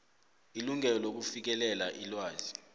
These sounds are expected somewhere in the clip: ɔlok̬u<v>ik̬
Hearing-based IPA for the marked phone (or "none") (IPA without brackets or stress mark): f